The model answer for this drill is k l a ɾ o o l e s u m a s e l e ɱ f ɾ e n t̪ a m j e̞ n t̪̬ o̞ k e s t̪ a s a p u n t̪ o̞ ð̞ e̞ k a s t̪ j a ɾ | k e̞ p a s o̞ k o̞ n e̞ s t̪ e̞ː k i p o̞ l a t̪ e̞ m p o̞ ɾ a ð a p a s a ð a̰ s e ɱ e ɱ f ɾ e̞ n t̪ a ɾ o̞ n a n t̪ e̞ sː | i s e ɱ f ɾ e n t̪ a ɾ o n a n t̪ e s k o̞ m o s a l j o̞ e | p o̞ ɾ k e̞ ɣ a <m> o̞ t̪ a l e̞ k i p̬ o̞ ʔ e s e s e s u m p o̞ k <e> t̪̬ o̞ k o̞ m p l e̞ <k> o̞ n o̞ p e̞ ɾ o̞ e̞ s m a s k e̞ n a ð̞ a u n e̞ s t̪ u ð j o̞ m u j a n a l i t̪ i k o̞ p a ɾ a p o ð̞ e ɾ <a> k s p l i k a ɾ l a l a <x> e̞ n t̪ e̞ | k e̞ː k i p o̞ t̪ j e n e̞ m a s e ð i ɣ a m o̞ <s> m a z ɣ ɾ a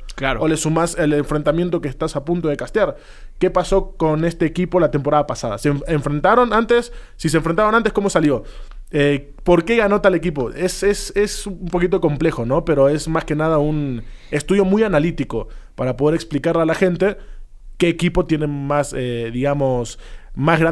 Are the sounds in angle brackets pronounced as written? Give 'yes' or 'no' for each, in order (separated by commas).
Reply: no, no, no, no, yes, yes